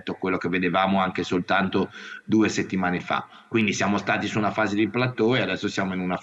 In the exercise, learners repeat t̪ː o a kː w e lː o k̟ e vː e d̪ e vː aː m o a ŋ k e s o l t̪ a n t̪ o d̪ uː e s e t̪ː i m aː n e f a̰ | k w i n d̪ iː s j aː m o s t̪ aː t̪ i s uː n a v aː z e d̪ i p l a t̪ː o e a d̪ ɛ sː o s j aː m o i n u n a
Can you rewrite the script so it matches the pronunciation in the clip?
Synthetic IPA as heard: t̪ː o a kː w e lː o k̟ e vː e d̪ e v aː m o a ŋ k e s o l t̪ a n t̪ o d̪ uː e s e t̪ː i m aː n e f a̰ | k w i n d̪ i s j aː m o s t̪ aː t̪ i s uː n a f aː z e d̪ i p l a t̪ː o e a d̪ ɛ sː o s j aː m o i n u n a